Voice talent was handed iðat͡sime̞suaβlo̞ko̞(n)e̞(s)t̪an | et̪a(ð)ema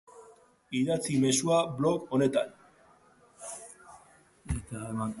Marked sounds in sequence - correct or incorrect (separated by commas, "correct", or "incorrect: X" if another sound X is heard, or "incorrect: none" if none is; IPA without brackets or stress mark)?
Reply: correct, incorrect: none, incorrect: none